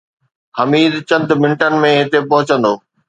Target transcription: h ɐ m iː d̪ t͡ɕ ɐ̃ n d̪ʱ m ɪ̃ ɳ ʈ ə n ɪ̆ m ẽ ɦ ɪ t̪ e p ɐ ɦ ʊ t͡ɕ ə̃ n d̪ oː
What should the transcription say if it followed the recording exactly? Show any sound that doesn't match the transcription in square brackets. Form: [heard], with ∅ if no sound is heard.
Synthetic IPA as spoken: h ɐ m iː d̪ t͡ɕ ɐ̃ n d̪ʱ m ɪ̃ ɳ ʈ ə n ɪ̆ m ẽ ɦ ɪ t̪ e p ɐ ɦ ʊ t͡ɕ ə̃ n d̪ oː